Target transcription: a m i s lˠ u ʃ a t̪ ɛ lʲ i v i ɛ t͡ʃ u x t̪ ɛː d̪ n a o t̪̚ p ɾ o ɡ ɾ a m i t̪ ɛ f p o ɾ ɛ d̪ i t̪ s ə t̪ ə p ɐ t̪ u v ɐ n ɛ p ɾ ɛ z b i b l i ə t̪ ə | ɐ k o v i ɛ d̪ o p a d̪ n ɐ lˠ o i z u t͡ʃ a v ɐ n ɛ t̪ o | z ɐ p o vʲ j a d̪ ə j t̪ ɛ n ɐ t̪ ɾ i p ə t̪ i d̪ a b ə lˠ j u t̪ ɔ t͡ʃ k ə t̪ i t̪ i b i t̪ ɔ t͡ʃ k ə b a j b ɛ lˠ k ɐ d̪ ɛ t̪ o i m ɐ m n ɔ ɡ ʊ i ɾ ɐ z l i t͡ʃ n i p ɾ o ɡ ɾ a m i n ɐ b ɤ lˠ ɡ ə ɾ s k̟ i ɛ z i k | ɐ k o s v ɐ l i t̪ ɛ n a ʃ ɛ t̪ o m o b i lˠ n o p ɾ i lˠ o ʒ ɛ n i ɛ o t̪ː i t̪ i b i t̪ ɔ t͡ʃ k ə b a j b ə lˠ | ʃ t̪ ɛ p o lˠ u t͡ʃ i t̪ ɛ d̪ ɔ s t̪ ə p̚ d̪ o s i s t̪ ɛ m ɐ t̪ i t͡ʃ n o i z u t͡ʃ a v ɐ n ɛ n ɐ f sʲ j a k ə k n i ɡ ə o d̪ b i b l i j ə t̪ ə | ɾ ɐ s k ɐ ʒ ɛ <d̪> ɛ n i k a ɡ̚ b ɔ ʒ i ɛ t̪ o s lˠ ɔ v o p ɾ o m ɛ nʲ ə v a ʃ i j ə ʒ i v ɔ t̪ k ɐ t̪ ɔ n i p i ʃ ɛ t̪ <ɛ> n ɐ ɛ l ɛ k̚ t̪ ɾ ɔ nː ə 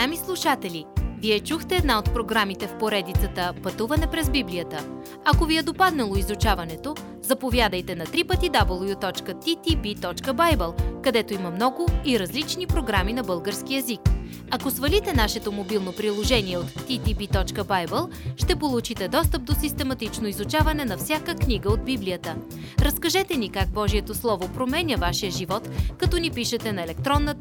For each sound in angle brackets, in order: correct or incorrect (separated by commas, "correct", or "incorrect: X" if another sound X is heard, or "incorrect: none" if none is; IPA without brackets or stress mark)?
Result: incorrect: t̪, correct